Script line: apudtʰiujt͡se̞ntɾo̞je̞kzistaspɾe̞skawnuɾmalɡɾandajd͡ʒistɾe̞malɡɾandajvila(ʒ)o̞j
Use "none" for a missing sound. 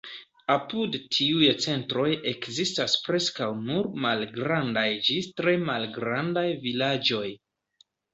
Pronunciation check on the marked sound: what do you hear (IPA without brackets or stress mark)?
d͡ʒ